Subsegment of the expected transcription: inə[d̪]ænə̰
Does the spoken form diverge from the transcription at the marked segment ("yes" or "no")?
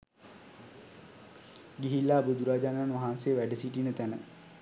yes